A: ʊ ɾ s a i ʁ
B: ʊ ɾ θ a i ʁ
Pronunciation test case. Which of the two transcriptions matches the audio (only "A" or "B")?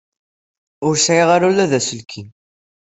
A